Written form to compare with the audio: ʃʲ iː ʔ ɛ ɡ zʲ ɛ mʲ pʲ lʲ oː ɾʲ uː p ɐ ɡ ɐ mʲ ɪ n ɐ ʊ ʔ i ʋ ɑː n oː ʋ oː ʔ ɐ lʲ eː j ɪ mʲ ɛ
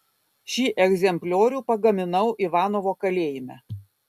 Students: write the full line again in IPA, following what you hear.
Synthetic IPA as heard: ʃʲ iː ʔ ɛ ɡ zʲ ɛ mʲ pʲ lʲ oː ɾʲ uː p ɐ ɡ ɐ mʲ ɪ n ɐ ʊ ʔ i ʋ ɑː n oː ʋ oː k ɐ lʲ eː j ɪ mʲ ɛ